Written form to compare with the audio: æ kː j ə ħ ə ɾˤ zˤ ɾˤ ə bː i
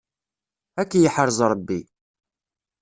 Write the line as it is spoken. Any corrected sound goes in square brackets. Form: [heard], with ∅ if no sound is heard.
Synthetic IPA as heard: æ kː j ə ħ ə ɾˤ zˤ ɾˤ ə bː i